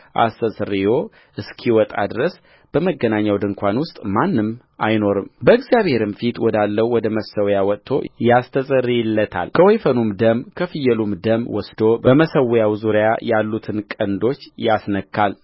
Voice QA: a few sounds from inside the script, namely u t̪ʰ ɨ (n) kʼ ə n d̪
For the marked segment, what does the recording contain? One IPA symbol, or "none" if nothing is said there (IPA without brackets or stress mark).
n